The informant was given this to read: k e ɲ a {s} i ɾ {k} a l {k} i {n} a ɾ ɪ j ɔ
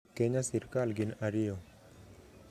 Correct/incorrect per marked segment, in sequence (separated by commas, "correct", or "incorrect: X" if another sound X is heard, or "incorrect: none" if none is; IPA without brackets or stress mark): correct, correct, incorrect: ɡ, correct